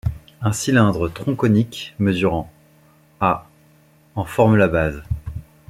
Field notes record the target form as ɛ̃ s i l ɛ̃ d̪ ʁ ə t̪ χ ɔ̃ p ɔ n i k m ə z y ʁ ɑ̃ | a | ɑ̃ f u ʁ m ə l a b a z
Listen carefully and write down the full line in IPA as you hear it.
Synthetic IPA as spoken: ɛ̃ s i l ɛ̃ d̪ ʁ ə t̪ χ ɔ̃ k ɔ n i k m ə z y ʁ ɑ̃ | a | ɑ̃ f ɔ ʁ m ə l a b a z